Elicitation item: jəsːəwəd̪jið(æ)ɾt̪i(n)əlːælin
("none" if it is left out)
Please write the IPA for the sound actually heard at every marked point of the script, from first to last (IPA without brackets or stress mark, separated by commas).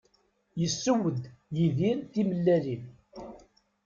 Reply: i, m